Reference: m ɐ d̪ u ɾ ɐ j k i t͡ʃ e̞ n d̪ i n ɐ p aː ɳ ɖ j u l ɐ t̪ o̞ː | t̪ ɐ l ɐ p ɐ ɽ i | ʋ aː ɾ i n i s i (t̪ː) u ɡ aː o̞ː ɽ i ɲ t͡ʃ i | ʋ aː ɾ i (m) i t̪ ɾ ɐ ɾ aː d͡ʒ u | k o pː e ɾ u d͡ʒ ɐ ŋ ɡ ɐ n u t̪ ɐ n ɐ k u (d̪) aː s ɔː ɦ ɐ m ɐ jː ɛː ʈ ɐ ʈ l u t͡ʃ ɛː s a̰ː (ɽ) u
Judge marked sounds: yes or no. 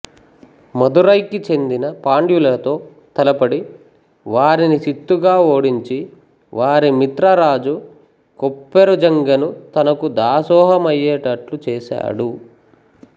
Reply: yes, yes, yes, yes

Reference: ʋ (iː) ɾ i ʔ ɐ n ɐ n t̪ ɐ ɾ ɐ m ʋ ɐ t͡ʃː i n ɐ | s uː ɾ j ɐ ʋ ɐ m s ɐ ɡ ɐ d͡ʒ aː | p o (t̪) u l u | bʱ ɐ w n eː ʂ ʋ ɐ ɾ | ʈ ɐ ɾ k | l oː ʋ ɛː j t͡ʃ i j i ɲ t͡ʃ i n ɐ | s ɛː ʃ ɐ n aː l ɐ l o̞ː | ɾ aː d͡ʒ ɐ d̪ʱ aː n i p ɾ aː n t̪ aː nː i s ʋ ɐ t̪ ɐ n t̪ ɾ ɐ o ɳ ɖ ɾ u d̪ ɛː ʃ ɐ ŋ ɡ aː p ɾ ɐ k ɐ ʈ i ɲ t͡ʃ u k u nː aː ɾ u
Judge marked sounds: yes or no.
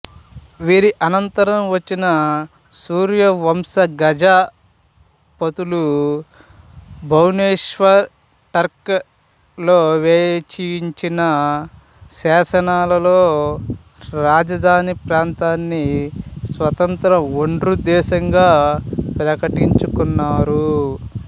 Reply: yes, yes

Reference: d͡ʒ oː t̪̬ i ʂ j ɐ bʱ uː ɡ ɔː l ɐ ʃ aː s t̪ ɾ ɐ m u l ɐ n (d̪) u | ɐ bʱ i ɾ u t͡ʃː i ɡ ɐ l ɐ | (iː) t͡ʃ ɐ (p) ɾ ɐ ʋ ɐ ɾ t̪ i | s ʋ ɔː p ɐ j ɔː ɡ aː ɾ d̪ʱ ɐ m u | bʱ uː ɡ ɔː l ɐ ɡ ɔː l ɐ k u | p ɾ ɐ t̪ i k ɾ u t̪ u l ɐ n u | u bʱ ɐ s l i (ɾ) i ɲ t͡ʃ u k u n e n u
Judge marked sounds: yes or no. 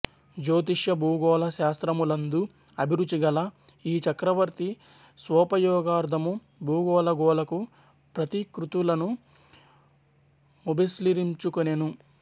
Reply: yes, yes, no, yes

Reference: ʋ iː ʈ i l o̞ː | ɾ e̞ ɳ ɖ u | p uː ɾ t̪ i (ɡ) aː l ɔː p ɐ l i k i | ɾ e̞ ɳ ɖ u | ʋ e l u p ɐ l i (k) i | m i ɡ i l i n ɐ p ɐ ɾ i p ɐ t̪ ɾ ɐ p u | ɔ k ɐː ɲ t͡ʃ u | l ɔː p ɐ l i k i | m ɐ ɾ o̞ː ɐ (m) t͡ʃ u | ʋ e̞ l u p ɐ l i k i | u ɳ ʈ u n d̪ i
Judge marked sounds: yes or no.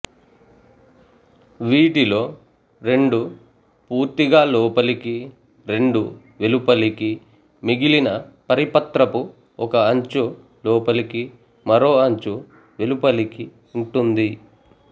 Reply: yes, yes, no

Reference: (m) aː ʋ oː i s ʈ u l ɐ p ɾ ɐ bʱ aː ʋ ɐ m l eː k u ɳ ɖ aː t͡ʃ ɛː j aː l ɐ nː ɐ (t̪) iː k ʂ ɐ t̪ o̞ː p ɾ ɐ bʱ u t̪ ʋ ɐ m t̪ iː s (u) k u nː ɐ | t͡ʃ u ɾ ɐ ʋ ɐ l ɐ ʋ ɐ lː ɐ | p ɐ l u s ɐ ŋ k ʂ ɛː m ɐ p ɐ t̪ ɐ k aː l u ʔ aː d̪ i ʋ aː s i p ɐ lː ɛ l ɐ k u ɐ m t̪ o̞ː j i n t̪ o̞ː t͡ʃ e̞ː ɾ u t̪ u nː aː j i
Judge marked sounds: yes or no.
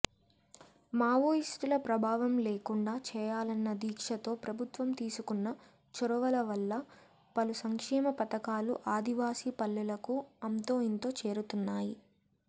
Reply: yes, no, yes

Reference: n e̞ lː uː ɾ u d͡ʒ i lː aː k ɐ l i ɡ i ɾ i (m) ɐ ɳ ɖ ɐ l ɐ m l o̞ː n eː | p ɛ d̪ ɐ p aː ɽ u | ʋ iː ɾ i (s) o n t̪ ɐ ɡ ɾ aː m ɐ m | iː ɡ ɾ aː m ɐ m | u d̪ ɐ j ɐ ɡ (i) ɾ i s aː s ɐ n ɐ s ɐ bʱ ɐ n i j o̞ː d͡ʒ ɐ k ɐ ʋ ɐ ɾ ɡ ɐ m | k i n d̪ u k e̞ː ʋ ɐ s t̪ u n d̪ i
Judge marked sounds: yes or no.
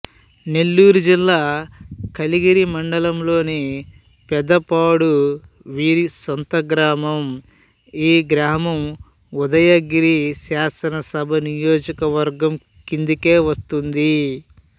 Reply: yes, yes, yes

